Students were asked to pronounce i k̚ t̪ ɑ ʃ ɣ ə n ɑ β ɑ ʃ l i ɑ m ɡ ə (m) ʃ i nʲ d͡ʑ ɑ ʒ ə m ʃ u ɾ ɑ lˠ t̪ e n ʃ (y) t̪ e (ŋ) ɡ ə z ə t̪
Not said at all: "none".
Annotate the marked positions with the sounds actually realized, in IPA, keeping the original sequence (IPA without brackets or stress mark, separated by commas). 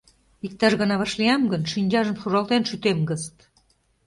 n, y, m